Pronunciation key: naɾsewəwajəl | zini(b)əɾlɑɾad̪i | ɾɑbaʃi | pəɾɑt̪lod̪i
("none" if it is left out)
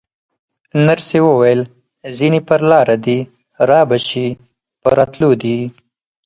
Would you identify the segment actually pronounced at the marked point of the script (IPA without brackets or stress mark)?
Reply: p